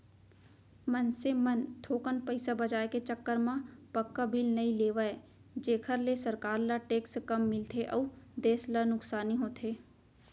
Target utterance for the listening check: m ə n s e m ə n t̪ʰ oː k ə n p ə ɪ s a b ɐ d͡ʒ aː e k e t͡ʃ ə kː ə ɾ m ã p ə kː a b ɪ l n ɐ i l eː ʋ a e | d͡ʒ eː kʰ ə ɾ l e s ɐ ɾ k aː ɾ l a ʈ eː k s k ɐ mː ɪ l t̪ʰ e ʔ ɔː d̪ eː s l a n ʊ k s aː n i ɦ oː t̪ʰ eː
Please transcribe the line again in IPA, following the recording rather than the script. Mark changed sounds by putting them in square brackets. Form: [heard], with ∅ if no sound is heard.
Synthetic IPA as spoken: m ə n s e m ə n t̪ʰ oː k ə n p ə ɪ s a b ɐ d͡ʒ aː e k e t͡ʃ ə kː ə ɾ m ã p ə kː a b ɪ l n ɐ i l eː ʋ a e | d͡ʒ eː kʰ ə ɾ l e s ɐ ɾ k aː ɾ l a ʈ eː k s k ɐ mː ɪ l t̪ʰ e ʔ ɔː d̪ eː s l a n ʊ k s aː n i ɦ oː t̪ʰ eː